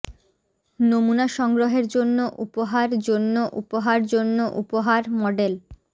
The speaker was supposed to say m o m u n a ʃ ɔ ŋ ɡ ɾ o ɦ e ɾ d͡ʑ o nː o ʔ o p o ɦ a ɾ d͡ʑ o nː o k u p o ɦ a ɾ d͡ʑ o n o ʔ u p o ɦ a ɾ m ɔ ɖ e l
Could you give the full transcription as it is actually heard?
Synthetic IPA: n o m u n a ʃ ɔ ŋ ɡ ɾ o ɦ e ɾ d͡ʑ o nː o ʔ u p o ɦ a ɾ d͡ʑ o nː o ʔ u p o ɦ a ɾ d͡ʑ o nː o ʔ u p o ɦ a ɾ m ɔ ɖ e l